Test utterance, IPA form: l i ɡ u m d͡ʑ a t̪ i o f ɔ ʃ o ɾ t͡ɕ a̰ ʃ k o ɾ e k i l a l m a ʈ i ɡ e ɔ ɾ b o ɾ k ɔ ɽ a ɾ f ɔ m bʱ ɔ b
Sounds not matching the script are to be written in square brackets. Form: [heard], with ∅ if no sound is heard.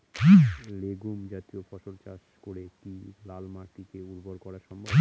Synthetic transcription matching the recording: l [e] ɡ u m d͡ʑ a t̪ i o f ɔ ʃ o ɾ t͡ɕ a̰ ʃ k o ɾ e k i l a l m a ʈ i [k] e [u] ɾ b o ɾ k ɔ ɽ a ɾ [ʃ] ɔ m bʱ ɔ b